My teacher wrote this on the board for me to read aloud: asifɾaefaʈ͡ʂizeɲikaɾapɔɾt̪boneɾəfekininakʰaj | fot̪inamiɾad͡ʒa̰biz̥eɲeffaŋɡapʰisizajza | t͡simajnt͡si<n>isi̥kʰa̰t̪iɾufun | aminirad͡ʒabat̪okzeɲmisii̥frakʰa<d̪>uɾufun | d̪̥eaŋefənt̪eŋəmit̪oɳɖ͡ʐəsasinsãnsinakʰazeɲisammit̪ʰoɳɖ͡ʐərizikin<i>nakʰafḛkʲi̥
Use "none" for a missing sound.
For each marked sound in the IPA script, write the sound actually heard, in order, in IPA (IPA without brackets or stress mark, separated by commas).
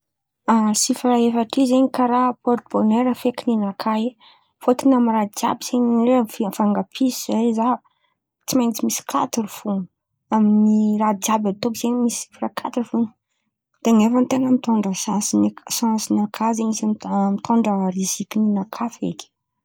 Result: m, t̪, i